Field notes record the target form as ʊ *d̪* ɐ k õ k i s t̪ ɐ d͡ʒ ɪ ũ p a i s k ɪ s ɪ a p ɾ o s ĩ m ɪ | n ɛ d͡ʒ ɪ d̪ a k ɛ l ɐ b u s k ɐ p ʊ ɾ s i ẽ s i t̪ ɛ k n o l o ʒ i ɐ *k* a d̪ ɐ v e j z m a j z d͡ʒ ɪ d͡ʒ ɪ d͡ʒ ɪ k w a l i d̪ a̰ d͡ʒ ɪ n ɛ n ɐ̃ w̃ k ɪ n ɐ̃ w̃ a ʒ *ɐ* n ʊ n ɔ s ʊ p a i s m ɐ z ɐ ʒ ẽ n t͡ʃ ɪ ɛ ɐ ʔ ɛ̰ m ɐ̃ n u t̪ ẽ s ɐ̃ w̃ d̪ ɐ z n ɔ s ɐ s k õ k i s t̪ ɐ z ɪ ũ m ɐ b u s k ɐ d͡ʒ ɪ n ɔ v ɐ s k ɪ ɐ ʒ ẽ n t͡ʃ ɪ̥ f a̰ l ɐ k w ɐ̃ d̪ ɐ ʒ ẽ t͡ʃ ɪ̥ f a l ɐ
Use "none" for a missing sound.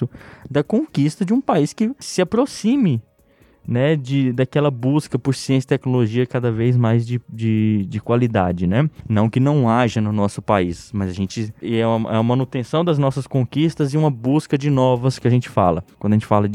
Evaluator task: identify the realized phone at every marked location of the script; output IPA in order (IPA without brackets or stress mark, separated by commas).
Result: d̪, k, ɐ